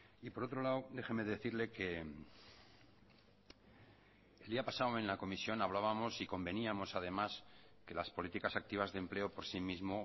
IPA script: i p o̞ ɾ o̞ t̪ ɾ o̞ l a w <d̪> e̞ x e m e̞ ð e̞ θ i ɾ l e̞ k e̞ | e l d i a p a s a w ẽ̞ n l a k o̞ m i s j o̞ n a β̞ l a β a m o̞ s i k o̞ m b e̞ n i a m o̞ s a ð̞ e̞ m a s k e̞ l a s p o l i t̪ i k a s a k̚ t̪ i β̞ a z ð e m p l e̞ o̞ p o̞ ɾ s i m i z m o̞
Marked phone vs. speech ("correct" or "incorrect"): correct